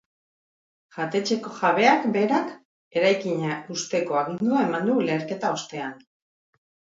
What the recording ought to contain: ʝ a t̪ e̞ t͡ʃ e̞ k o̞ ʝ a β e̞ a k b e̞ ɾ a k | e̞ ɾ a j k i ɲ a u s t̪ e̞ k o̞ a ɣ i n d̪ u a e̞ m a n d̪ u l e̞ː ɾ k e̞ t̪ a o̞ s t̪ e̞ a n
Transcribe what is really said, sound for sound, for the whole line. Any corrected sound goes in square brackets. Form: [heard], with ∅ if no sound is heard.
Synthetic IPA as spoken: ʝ a t̪ e̞ t͡ʃ e̞ k o̞ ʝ a β e̞ a k b e̞ ɾ a k | e̞ ɾ a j k i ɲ a u s t̪ e̞ k o̞ a ɣ i n d̪ u a e̞ m a n d̪ u l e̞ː ɾ k e̞ t̪ a o̞ s t̪ e̞ a n